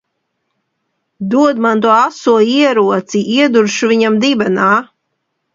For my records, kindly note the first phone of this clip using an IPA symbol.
d̪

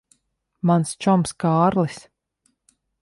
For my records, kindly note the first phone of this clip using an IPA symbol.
m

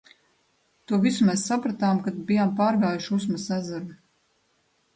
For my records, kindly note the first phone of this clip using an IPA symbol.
t̪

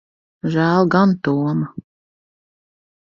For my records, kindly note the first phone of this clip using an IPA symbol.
ʒ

